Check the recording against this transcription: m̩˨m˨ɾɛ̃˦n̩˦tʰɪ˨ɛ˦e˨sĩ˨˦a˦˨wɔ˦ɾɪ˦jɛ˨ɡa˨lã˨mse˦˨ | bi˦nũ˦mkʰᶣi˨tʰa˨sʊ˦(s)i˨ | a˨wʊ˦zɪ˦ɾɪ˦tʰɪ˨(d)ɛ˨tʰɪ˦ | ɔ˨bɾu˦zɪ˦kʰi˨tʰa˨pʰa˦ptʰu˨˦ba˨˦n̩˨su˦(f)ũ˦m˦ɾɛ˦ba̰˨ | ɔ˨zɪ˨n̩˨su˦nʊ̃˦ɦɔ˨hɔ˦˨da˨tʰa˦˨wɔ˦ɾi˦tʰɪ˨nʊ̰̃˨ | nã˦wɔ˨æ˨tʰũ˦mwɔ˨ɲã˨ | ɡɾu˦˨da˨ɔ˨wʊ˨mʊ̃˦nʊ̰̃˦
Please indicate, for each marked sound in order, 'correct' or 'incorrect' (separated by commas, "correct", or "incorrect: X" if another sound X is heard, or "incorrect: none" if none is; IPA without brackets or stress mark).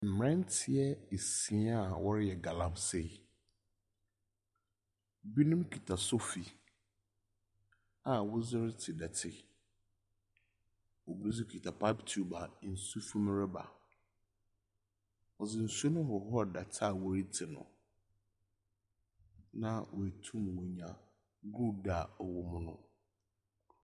incorrect: f, correct, correct